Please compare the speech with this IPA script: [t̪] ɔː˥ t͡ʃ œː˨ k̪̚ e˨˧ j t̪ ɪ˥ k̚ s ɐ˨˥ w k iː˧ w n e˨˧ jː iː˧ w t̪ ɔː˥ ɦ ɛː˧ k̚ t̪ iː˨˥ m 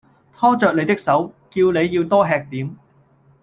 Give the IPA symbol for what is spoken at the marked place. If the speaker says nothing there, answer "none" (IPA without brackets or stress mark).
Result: t̪ʰ